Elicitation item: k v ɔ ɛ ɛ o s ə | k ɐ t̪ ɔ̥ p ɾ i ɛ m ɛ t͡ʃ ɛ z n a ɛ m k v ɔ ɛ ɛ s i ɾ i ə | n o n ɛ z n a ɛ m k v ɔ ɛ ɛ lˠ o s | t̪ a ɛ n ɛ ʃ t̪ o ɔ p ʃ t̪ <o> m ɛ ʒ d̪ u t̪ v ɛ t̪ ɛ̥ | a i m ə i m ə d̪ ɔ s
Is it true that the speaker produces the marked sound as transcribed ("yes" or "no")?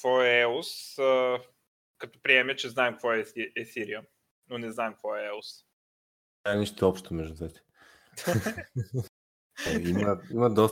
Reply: yes